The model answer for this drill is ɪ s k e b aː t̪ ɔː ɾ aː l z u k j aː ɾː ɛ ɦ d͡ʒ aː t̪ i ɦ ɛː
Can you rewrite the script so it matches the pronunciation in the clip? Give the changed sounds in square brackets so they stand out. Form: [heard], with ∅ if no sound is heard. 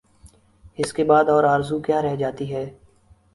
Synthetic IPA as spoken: ɪ s k e b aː [d̪] ɔː ɾ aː [ɾ] z u k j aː [ɾ] ɛ ɦ d͡ʒ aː t̪ i ɦ ɛː